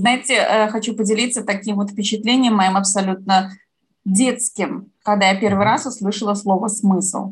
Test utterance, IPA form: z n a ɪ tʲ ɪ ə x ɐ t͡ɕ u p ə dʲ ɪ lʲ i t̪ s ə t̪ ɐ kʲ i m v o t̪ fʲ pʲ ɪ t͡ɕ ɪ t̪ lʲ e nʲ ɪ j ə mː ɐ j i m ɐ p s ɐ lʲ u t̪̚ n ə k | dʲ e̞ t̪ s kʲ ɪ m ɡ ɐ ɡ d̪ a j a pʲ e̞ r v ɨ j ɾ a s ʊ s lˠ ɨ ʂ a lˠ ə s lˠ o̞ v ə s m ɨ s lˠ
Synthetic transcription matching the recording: z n a ɪ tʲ ɪ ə x ɐ t͡ɕ u p ə dʲ ɪ lʲ i t̪ s ə t̪ ɐ kʲ i m v o t̪ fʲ pʲ ɪ t͡ɕ ɪ t̪ lʲ e nʲ ɪ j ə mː ɐ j i m ɐ p s ɐ lʲ u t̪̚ n ə | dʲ e̞ t̪ s kʲ ɪ m k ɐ ɡ d̪ a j a pʲ e̞ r v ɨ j ɾ a s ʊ s lˠ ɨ ʂ ə lˠ ə s lˠ o̞ v ə s m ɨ s lˠ